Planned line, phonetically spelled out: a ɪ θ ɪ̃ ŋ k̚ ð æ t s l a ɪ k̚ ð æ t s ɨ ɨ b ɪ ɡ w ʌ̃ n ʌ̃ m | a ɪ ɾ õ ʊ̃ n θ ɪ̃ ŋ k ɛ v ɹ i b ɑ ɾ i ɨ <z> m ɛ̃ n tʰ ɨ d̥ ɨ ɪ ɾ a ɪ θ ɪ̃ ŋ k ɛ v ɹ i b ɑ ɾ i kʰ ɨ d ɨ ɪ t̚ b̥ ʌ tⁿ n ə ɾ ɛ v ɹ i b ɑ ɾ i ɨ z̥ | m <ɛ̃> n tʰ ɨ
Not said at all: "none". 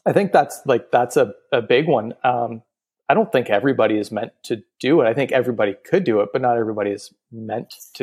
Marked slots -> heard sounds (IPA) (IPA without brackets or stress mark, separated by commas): z, ɛ̃